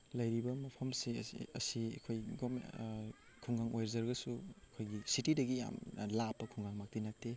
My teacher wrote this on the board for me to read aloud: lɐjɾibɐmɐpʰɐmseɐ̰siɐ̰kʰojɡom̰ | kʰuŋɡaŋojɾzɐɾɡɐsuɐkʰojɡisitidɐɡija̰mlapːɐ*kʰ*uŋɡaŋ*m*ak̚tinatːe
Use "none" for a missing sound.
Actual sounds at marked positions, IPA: kʰ, m

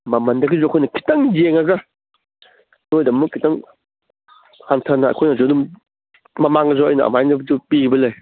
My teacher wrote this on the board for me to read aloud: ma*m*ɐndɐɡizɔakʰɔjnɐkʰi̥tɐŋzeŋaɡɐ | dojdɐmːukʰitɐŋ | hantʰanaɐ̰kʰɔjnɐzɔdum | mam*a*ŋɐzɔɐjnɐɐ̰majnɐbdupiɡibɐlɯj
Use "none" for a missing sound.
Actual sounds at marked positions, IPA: m, a

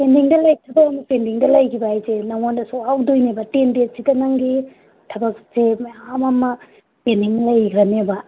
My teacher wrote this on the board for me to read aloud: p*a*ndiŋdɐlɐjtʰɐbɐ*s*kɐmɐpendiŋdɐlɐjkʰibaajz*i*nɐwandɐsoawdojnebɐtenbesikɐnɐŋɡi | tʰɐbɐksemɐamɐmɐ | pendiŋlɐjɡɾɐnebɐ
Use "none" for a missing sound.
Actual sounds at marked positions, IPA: e, none, e

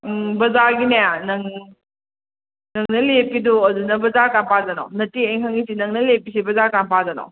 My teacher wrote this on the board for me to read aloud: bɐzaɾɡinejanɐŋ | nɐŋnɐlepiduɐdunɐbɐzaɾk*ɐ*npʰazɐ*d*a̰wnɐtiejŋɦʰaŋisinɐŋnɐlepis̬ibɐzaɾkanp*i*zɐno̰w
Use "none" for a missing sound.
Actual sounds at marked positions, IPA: a, n, a

